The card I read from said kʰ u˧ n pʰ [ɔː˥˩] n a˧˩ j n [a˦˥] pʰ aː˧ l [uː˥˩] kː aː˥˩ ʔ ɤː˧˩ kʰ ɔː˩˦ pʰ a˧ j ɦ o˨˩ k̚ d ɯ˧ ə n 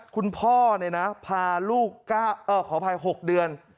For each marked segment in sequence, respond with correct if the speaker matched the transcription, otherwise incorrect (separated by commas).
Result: correct, correct, correct